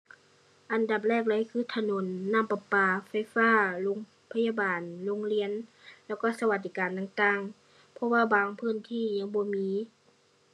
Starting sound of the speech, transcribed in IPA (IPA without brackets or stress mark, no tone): ʔ